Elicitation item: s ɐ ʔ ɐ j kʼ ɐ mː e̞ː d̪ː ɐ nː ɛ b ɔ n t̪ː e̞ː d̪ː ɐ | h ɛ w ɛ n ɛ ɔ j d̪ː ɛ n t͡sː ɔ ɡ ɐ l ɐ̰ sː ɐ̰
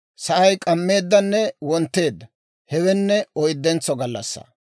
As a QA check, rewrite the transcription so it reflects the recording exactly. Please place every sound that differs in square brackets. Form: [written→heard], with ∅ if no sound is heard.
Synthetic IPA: s ɐ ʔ ɐ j kʼ ɐ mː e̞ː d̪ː ɐ nː ɛ [b→w] ɔ n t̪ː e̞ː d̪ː ɐ | h ɛ w ɛ [n→nː] ɛ ɔ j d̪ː ɛ n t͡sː ɔ ɡ ɐ [l→lː] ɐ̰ sː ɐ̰

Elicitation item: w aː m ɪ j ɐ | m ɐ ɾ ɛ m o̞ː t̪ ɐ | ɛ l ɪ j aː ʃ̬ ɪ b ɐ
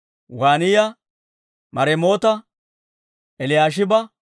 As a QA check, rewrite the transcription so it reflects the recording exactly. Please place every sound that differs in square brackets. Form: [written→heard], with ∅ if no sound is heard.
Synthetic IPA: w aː [m→n] ɪ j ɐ | m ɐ ɾ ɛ m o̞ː t̪ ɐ | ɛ l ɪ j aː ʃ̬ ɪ b ɐ

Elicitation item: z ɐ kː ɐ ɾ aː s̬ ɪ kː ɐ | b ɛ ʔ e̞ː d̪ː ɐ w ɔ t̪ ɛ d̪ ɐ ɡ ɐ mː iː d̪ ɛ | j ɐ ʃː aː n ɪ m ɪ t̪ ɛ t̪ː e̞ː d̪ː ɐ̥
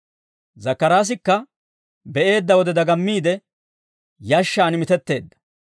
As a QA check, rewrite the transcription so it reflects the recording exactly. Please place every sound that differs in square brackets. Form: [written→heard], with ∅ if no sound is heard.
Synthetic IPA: z ɐ kː ɐ ɾ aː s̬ ɪ kː ɐ | b ɛ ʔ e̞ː d̪ː ɐ w ɔ [t̪→d̪] ɛ d̪ ɐ ɡ ɐ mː iː d̪ ɛ | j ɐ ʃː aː n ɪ m ɪ t̪ ɛ t̪ː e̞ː d̪ː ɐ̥

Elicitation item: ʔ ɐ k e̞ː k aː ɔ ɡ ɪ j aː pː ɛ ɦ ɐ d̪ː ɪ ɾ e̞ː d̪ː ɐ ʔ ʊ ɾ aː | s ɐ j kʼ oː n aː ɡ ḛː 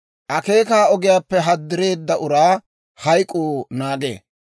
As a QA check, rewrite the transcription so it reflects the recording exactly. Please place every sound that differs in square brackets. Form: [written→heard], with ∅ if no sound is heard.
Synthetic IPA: ʔ ɐ k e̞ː k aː ɔ ɡ ɪ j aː pː ɛ ɦ ɐ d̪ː ɪ ɾ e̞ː d̪ː ɐ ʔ ʊ ɾ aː | [s→h] ɐ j kʼ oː n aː ɡ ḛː

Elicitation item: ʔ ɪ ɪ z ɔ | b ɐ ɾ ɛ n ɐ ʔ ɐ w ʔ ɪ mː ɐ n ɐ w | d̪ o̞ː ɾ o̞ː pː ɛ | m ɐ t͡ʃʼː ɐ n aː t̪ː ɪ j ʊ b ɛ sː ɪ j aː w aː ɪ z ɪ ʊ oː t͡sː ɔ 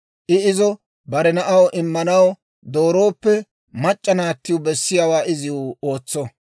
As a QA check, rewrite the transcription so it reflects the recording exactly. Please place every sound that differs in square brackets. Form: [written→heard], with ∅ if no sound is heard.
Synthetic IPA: ʔ ɪ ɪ z ɔ | b ɐ ɾ ɛ n ɐ ʔ ɐ w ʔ ɪ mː ɐ n ɐ w | d̪ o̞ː ɾ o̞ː pː ɛ | m ɐ t͡ʃʼː ɐ n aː t̪ː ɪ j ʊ b ɛ sː ɪ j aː w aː ɪ z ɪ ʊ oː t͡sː ɔ

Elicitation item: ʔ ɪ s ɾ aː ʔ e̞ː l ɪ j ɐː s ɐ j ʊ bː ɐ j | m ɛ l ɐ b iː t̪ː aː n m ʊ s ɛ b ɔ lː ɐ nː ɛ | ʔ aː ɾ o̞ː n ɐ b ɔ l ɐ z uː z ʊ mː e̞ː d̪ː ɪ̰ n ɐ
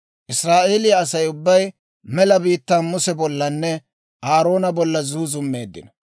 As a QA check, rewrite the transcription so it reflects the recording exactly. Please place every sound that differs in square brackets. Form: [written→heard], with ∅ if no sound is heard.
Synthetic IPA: ʔ ɪ s ɾ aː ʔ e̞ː l ɪ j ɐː s ɐ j ʊ bː ɐ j | m ɛ l ɐ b iː t̪ː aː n m ʊ s ɛ b ɔ lː ɐ nː ɛ | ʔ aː ɾ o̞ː n ɐ b ɔ [l→lː] ɐ z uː z ʊ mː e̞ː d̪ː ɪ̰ n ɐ

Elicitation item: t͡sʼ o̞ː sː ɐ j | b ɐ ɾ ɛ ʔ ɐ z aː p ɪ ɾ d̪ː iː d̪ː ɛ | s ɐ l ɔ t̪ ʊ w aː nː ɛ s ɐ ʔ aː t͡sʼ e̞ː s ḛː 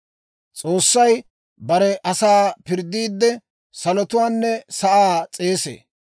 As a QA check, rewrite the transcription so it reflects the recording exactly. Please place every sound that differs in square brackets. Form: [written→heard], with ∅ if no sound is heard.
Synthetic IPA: t͡sʼ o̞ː sː ɐ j | b ɐ ɾ ɛ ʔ ɐ [z→s] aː p ɪ ɾ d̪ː iː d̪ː ɛ | s ɐ l ɔ t̪ ʊ w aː nː ɛ s ɐ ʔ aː t͡sʼ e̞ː s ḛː

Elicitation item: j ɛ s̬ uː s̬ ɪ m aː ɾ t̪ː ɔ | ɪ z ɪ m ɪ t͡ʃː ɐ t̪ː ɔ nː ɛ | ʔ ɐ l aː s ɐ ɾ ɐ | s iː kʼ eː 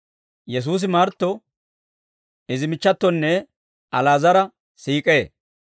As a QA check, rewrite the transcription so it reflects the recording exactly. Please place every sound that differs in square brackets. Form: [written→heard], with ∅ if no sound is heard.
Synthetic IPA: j ɛ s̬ uː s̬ ɪ m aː ɾ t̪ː ɔ | ɪ z ɪ m ɪ t͡ʃː ɐ t̪ː ɔ nː ɛ | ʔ ɐ l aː [s→z] ɐ ɾ ɐ | s iː kʼ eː

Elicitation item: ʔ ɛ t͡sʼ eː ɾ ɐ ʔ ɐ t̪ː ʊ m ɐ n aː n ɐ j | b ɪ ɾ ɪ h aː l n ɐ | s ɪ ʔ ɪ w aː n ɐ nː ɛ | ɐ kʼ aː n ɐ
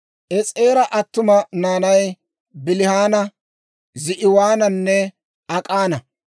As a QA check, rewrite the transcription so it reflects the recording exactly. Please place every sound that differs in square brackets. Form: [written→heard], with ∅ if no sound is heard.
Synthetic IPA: ʔ ɛ t͡sʼ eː ɾ ɐ ʔ ɐ t̪ː ʊ m ɐ n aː n ɐ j | b ɪ [ɾ→l] ɪ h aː [l→∅] n ɐ | [s→z] ɪ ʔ ɪ w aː n ɐ nː ɛ | ɐ kʼ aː n ɐ

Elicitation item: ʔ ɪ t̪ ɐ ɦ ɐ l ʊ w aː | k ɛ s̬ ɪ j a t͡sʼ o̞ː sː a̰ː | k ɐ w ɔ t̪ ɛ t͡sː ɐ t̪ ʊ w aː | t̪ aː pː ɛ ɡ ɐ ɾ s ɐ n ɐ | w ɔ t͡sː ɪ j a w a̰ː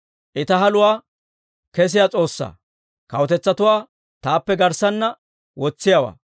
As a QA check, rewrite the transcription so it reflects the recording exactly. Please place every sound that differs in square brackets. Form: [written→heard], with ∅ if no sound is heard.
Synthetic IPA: ʔ ɪ t̪ ɐ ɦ ɐ l ʊ w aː | k ɛ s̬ ɪ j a t͡sʼ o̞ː sː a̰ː | k ɐ w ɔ t̪ ɛ t͡sː ɐ t̪ ʊ w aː | t̪ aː pː ɛ ɡ ɐ ɾ s ɐ [n→nː] ɐ | w ɔ t͡sː ɪ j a w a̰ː

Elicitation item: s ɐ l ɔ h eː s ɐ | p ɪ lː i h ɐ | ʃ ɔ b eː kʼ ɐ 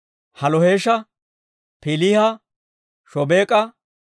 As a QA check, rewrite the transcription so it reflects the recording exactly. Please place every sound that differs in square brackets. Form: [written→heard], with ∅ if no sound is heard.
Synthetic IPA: [s→h] ɐ l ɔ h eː [s→ʃ] ɐ | p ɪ [lː→l] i h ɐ | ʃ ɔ b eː kʼ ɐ

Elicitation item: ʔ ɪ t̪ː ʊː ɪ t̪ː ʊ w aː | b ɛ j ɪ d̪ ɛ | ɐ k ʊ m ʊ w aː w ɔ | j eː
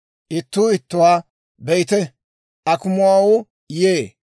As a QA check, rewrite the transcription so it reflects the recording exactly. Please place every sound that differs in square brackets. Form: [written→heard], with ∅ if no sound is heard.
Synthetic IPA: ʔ ɪ t̪ː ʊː ɪ t̪ː ʊ w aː | b ɛ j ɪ [d̪→t̪] ɛ | ɐ k ʊ m ʊ w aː w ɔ | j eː

